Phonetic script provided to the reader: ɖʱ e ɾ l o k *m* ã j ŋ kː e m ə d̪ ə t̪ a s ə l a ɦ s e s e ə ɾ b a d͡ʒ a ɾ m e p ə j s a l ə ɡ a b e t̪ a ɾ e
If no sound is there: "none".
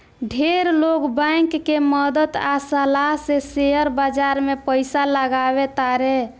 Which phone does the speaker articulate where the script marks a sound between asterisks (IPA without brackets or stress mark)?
b